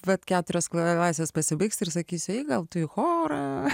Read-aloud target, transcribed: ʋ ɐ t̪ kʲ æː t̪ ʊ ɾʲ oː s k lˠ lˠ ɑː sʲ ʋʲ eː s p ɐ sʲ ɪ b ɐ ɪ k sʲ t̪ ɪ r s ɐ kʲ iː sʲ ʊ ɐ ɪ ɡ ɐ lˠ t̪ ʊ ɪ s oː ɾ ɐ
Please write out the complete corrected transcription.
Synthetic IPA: ʋ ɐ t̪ kʲ æː t̪ ʊ ɾʲ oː s k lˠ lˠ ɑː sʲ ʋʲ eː s p ɐ sʲ ɪ b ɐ ɪ k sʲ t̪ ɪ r s ɐ kʲ iː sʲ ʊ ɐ ɪ ɡ ɐ lˠ t̪ ʊ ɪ x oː ɾ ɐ